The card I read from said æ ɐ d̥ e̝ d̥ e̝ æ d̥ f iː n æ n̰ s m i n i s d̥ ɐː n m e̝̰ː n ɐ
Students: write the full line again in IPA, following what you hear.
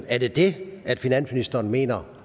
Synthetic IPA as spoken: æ ɐ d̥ e̝ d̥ e̝ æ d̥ f i n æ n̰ s m i n i s d̥ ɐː n m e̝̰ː n ɐ